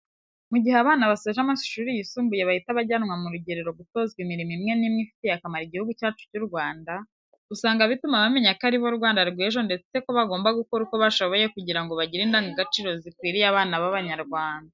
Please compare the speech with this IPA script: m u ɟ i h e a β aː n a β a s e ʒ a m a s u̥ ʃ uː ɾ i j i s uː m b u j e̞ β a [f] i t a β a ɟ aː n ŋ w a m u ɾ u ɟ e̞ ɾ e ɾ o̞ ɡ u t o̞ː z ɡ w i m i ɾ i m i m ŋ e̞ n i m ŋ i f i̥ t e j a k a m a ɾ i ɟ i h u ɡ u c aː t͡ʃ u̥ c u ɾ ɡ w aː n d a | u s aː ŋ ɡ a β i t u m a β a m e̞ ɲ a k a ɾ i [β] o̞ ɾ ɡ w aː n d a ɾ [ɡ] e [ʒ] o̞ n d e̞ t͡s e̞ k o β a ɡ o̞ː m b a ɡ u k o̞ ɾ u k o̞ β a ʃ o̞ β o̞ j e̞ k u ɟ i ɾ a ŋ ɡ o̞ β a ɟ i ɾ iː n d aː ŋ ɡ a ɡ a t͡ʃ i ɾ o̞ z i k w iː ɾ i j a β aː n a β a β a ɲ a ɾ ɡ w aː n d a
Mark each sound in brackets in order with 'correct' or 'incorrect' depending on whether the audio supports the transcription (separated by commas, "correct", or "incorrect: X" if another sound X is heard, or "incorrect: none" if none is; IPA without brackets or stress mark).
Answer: incorrect: h, correct, correct, correct